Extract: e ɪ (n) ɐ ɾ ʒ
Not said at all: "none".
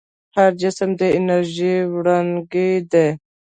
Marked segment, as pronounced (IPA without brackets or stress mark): n